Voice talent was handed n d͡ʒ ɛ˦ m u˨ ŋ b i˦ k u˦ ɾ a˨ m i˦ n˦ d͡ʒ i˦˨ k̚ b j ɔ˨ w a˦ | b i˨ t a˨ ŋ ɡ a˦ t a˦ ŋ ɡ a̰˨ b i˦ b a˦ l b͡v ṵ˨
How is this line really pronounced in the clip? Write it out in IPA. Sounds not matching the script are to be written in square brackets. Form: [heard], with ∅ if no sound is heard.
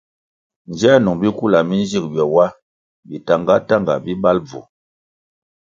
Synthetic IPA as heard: n d͡ʒ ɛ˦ [n] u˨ ŋ b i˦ k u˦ [l] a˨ m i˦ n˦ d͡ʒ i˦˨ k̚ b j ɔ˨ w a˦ | b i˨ t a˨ ŋ ɡ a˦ t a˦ ŋ ɡ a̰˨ b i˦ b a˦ l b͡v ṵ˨